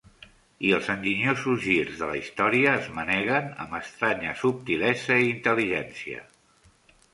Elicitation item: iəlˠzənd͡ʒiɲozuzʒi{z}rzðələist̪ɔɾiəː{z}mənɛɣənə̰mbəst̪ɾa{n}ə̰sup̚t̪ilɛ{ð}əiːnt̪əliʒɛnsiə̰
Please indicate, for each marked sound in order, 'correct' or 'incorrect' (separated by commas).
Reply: incorrect, correct, incorrect, incorrect